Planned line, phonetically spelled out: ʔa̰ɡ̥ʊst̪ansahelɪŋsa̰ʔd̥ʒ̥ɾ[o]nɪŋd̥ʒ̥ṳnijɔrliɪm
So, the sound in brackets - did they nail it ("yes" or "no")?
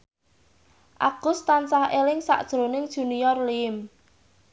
yes